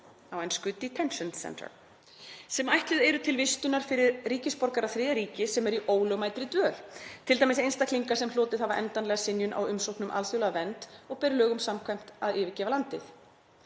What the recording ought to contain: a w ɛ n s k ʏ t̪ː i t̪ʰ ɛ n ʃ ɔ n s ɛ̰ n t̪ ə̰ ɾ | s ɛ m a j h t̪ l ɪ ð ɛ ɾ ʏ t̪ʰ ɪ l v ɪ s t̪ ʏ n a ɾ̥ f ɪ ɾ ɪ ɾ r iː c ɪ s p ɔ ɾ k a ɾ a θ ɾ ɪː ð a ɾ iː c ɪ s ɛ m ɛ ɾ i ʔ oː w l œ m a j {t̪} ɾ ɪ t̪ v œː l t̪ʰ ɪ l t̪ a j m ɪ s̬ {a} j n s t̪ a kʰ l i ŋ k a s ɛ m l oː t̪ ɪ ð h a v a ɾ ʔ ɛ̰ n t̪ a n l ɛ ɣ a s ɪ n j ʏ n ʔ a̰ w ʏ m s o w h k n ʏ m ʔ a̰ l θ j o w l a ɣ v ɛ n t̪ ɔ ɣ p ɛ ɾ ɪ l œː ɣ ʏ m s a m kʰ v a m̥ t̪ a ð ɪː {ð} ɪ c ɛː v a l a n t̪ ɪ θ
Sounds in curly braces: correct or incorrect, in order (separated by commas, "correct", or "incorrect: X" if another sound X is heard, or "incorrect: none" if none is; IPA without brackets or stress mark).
correct, incorrect: e, incorrect: v